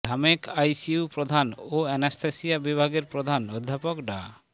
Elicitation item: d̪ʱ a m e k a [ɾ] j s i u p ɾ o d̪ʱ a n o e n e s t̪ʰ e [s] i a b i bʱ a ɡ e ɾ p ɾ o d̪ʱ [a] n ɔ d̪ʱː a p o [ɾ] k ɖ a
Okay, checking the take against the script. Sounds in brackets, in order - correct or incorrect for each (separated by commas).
incorrect, correct, correct, incorrect